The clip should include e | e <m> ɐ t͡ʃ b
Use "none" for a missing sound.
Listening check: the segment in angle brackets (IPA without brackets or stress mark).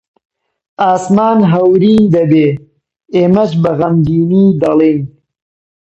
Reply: m